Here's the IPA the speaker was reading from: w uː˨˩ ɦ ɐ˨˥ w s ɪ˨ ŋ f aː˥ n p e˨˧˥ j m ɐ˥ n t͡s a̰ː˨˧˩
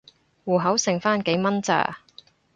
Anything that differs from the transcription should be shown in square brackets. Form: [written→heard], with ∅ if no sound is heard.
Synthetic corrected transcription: w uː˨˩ ɦ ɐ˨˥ w s ɪ˨ ŋ f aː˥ n [p→k] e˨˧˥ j m ɐ˥ n t͡s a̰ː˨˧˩